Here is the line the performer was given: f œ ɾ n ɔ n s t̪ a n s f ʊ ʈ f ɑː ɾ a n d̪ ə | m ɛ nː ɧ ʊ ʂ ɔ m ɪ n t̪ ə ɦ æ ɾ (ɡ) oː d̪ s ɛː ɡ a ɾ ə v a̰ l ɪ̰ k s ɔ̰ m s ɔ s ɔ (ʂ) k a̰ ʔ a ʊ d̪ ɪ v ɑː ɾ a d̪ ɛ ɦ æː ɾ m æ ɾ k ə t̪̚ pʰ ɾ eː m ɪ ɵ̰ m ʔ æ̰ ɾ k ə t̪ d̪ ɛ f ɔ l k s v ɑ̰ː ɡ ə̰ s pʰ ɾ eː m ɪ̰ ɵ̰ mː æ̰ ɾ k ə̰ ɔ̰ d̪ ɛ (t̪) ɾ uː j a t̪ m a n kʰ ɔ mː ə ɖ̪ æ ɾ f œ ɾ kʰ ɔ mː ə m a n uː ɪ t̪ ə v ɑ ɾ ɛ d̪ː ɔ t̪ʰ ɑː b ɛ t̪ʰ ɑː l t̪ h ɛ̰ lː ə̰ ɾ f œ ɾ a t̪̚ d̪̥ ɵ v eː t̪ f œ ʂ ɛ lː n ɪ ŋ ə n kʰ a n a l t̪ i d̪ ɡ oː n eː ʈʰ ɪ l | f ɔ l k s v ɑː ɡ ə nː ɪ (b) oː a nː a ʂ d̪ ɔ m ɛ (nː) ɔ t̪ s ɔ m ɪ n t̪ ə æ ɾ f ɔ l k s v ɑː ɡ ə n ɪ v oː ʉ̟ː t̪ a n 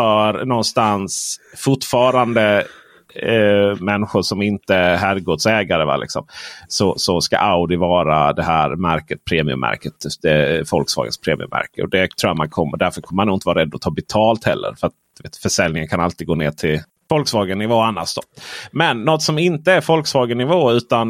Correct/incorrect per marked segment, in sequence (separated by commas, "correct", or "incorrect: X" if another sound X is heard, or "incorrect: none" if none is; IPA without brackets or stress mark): correct, incorrect: s, incorrect: t̪ʰ, incorrect: v, correct